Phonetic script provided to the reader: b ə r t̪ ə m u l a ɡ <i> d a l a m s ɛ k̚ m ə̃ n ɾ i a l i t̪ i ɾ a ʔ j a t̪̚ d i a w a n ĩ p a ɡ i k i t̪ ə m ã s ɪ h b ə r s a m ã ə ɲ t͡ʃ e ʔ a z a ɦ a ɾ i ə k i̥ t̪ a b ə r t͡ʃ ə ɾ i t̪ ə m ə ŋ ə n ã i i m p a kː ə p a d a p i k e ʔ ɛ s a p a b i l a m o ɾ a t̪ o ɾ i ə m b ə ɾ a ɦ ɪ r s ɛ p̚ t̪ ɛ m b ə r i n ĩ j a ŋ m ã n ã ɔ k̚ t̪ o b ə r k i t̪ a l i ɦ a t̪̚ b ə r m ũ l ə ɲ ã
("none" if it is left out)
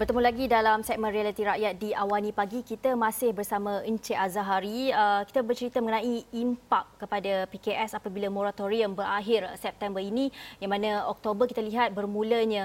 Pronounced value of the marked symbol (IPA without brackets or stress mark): i